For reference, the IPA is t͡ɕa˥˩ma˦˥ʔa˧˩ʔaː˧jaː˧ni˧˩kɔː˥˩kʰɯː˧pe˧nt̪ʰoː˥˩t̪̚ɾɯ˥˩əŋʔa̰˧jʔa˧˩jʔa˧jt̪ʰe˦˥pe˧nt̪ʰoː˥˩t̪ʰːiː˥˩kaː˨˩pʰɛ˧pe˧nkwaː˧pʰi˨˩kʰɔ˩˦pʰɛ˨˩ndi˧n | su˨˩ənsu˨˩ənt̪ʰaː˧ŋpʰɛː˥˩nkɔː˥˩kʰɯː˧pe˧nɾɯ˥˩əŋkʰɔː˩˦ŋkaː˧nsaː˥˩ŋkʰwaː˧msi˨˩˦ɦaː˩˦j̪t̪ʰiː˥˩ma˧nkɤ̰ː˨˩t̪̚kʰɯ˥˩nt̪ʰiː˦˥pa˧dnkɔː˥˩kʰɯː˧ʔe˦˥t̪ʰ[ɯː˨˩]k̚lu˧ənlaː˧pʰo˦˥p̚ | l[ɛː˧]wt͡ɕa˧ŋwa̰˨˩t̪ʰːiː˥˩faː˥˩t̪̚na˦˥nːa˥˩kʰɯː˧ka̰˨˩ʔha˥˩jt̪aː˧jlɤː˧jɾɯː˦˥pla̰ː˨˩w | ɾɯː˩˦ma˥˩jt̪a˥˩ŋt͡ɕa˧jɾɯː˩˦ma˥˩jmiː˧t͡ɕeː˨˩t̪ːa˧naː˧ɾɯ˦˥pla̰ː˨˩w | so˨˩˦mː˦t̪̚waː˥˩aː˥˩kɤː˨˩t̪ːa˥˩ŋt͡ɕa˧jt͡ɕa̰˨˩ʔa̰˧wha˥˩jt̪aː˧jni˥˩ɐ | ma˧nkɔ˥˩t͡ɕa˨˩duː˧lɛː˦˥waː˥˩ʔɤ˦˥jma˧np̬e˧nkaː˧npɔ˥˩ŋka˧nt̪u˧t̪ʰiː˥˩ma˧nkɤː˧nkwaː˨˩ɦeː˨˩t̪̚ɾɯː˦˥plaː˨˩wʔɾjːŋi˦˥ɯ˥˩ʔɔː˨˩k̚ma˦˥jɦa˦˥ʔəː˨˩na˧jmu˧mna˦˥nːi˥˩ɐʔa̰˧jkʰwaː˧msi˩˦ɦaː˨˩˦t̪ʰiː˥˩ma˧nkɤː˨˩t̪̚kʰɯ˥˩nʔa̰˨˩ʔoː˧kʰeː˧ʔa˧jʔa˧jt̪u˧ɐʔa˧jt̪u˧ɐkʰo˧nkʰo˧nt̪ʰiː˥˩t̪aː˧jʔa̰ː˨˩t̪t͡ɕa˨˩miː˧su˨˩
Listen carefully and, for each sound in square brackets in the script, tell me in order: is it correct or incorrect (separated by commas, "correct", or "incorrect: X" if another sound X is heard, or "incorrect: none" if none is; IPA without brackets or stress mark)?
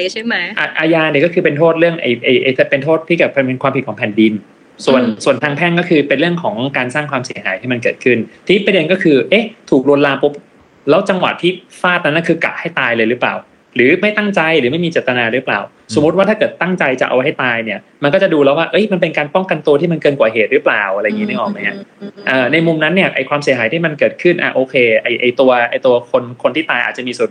incorrect: uː˨˩, incorrect: ɛː˦˥